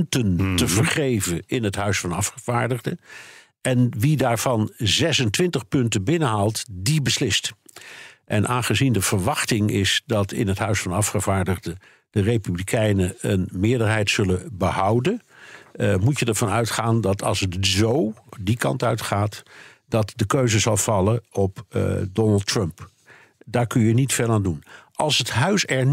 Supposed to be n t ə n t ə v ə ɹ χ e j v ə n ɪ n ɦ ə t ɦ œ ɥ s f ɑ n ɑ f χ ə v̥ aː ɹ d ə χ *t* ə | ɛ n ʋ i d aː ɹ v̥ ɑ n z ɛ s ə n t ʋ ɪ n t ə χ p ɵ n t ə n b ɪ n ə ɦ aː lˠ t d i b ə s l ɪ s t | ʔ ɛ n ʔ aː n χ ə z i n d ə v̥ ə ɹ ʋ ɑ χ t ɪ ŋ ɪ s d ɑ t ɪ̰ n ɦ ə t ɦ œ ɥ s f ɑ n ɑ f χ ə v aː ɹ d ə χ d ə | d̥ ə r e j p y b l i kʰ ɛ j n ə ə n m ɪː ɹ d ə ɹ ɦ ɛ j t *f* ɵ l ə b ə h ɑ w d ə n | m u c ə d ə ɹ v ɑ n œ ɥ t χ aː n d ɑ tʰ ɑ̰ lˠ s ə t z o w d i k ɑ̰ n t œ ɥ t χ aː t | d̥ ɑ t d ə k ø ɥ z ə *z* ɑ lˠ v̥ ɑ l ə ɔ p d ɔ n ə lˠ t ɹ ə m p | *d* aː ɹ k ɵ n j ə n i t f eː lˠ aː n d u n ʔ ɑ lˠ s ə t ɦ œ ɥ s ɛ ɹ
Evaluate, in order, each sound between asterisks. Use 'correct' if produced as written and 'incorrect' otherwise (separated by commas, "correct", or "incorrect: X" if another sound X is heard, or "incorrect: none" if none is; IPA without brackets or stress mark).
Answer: incorrect: d, incorrect: s, correct, correct